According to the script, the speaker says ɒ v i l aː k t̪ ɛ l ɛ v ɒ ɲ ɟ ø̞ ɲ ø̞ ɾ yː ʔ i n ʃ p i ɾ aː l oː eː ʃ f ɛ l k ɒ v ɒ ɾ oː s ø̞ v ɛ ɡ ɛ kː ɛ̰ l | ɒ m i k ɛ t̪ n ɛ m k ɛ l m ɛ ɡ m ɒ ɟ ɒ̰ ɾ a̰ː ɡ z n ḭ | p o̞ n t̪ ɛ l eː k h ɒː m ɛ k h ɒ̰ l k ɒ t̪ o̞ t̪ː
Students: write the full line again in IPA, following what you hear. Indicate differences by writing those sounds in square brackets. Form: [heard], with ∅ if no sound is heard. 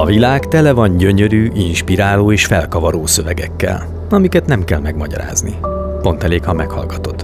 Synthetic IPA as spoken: ɒ v i l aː k t̪ ɛ l ɛ v ɒ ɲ ɟ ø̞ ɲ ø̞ ɾ yː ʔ i n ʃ p i ɾ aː l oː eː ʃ f ɛ l k ɒ v ɒ ɾ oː s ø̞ v ɛ ɡ ɛ kː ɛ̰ l | ɒ m i k ɛ t̪ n ɛ m k ɛ l m ɛ ɡ m ɒ ɟ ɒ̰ ɾ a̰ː [∅] z n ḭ | p o̞ n t̪ ɛ l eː k h [ɒ] m ɛ k h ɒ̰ l [ɡ] ɒ t̪ o̞ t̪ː